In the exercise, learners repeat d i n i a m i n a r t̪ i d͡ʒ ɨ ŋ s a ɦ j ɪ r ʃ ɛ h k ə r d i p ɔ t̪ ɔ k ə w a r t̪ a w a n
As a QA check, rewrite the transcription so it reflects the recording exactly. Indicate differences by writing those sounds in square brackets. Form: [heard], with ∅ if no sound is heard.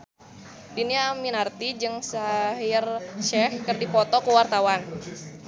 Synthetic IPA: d i n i a m i n a r t̪ i d͡ʒ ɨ ŋ s a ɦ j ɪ r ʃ ɛ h k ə r d i p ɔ t̪ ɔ k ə w a r t̪ a w a n